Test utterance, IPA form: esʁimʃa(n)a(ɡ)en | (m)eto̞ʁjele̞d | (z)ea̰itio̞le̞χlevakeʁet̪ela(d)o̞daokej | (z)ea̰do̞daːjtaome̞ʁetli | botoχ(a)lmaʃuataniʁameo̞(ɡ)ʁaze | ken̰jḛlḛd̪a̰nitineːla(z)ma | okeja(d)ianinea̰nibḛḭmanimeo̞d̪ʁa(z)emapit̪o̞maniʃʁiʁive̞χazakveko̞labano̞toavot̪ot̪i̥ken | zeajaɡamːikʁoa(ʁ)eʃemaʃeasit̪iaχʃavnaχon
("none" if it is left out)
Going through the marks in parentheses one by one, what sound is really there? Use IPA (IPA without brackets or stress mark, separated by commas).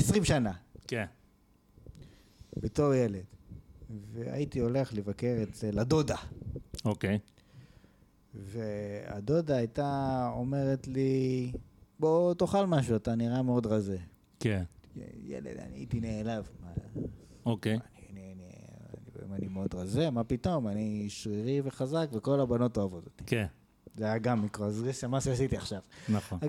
n, k, b, v, d, v, a, d, v, n, z, z